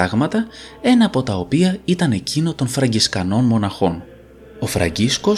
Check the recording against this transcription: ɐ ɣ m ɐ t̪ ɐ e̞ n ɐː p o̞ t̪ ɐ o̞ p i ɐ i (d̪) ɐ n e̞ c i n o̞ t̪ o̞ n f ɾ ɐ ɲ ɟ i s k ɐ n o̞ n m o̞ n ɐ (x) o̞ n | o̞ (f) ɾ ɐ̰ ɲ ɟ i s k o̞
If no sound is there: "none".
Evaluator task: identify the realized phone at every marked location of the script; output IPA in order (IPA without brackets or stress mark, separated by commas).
t̪, x, f